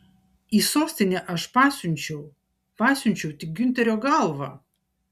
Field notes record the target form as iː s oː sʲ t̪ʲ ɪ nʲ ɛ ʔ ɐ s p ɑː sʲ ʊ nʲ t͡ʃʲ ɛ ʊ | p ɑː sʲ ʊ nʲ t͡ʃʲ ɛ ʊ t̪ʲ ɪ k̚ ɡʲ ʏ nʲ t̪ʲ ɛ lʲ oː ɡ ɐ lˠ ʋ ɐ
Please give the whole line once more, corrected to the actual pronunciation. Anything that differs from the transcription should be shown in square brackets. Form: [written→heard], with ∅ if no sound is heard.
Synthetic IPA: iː s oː sʲ t̪ʲ ɪ nʲ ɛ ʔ ɐ [s→ʃ] p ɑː sʲ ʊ nʲ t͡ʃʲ ɛ ʊ | p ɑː sʲ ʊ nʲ t͡ʃʲ ɛ ʊ t̪ʲ ɪ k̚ ɡʲ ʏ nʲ t̪ʲ ɛ [lʲ→ɾʲ] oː ɡ ɐ lˠ ʋ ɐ